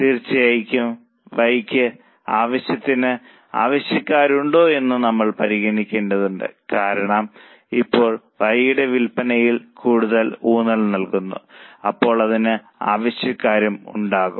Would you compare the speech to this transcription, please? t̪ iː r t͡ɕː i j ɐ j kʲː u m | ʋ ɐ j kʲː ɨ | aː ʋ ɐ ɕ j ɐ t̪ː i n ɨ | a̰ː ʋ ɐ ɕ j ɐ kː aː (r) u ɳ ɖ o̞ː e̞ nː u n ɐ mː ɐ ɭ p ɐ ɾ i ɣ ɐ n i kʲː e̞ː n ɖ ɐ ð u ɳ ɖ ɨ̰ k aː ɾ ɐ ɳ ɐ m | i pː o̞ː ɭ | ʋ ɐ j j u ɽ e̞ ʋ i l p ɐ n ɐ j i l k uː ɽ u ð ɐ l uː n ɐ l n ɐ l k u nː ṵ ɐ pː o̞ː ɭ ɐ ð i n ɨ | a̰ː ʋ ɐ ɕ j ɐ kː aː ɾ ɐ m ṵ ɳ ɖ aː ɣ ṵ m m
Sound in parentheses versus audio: incorrect: ɾ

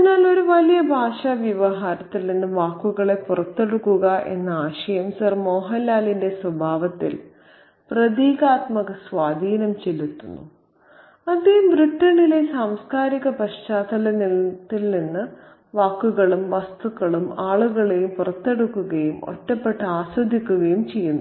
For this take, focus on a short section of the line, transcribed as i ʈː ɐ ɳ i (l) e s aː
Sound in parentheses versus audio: correct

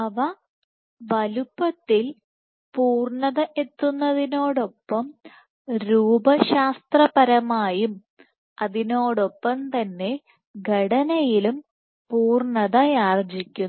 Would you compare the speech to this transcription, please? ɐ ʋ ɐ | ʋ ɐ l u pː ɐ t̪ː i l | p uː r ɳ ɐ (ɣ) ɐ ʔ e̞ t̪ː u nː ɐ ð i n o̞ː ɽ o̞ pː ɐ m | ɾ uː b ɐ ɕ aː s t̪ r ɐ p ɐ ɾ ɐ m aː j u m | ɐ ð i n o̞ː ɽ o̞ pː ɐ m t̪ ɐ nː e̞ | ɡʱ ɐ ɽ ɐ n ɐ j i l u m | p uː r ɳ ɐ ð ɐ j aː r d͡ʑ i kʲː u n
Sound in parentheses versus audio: incorrect: ð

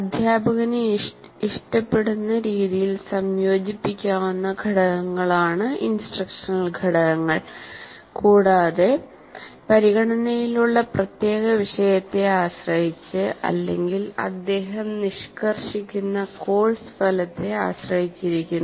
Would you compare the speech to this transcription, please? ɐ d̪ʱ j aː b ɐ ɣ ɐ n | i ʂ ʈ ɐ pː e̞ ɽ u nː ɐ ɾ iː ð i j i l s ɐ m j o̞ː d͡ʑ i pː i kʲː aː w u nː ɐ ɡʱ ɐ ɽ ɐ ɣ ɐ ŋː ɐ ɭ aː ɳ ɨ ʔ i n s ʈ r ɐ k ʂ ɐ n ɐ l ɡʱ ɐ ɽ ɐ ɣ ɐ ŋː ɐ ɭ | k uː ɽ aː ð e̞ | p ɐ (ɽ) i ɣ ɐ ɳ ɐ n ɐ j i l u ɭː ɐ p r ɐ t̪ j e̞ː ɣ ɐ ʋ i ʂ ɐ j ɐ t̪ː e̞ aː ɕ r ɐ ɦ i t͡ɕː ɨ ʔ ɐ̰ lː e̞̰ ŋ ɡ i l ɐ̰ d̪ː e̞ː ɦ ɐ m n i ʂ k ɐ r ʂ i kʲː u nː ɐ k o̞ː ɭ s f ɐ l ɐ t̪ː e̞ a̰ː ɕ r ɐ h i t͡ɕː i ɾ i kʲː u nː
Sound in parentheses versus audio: incorrect: ɾ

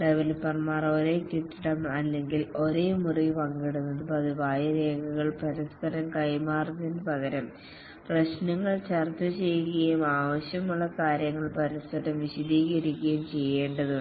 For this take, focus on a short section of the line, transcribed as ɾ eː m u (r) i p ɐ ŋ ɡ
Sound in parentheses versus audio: correct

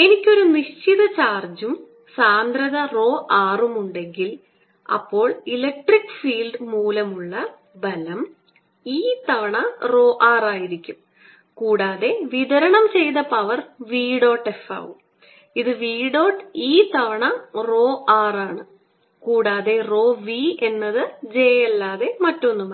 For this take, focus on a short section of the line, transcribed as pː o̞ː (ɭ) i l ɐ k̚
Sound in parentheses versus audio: correct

